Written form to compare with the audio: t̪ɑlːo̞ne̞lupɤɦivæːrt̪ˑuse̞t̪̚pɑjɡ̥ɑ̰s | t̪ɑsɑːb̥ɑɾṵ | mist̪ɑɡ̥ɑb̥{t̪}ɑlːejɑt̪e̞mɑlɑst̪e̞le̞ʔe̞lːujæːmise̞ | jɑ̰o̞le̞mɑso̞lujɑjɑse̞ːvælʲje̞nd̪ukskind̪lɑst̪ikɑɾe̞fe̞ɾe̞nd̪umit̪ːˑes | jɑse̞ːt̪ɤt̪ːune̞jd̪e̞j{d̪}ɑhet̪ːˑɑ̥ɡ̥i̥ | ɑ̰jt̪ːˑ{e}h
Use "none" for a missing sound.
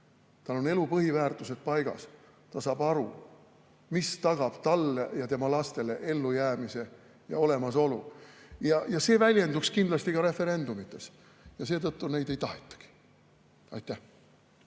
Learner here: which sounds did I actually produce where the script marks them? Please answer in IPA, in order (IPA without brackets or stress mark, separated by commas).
t̪, t̪, æ